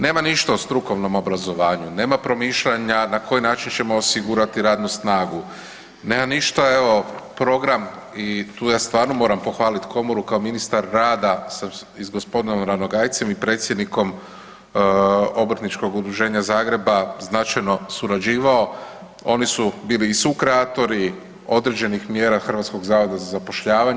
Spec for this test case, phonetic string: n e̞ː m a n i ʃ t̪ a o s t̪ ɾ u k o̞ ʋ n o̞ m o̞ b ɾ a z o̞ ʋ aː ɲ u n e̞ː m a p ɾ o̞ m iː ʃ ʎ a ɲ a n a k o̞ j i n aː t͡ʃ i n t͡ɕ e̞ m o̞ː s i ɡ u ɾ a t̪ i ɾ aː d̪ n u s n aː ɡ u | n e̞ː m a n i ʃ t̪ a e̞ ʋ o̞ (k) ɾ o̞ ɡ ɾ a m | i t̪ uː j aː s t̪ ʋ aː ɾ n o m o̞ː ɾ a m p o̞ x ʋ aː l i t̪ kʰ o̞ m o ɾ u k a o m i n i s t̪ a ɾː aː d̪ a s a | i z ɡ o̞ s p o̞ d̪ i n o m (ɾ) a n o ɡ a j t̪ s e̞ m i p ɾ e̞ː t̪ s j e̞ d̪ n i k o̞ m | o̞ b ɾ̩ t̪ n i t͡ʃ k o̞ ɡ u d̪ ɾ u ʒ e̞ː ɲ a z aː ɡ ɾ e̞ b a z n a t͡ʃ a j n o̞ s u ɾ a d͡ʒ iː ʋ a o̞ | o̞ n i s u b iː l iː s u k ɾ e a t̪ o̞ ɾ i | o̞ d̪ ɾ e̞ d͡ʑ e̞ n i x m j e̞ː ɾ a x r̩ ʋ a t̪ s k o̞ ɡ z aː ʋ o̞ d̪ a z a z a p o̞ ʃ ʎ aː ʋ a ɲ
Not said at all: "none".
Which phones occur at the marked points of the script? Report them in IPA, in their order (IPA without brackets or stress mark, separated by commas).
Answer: p, ɾ